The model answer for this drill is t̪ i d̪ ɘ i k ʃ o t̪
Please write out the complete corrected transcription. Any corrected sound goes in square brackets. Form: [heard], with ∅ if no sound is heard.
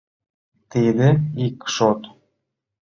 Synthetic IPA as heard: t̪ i d̪ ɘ i k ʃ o t̪